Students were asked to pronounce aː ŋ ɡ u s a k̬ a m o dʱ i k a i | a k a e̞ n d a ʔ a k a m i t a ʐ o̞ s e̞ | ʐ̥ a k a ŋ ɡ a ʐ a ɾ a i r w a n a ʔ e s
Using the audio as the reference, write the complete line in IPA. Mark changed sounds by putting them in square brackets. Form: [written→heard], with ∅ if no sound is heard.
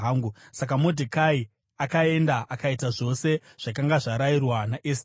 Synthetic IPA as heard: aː ŋ ɡ u s a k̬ a m o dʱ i k a i | a k a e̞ n d a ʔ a k a [m→∅] i t a ʐ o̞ s e̞ | ʐ̥ a k a ŋ ɡ a ʐ a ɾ a i r w a n a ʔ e s